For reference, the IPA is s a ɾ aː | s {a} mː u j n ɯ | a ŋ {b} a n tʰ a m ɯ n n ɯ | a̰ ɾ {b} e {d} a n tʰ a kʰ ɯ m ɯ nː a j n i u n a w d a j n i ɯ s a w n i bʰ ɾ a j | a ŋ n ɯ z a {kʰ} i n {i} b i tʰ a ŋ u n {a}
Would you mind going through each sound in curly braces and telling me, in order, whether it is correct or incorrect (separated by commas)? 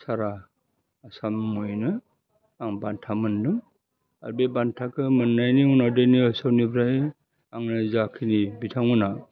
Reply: correct, correct, correct, incorrect, correct, correct, correct